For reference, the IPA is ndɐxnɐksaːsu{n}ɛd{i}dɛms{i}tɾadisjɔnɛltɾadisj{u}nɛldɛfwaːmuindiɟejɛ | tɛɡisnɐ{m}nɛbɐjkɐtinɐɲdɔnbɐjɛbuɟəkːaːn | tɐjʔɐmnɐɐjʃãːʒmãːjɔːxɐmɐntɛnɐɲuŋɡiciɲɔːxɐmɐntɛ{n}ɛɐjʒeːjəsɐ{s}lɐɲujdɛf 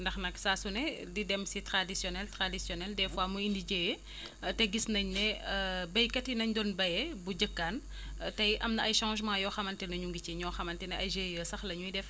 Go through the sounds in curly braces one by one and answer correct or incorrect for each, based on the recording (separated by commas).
correct, correct, correct, incorrect, incorrect, correct, incorrect